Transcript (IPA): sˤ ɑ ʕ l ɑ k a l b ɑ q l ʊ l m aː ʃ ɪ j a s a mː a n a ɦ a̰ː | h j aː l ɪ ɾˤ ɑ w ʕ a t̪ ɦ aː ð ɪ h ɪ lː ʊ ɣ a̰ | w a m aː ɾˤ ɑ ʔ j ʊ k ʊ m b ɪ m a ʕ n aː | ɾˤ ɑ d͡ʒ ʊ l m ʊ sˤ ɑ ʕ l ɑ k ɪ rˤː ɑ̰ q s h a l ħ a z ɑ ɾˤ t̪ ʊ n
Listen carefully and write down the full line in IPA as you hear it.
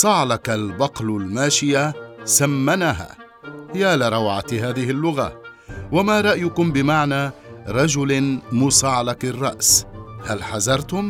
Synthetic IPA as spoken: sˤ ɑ ʕ l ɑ k a l b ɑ q l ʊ l m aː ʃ ɪ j a s a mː a n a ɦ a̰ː | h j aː l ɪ ɾˤ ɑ w ʕ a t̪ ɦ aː ð ɪ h ɪ lː ʊ ɣ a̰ | w a m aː ɾˤ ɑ ʔ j ʊ k ʊ m b ɪ m a ʕ n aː | ɾˤ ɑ d͡ʒ ʊ l m ʊ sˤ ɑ ʕ l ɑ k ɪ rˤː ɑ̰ ʔ s h a l ħ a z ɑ ɾˤ t̪ ʊ m